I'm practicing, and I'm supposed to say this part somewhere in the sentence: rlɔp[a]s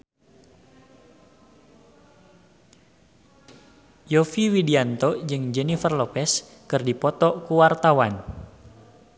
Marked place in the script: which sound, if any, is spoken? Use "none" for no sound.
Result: ɛ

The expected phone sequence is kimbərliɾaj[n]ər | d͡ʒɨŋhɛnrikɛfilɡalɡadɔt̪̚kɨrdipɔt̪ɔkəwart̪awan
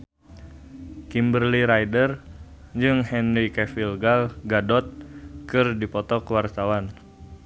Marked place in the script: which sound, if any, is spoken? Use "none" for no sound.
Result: d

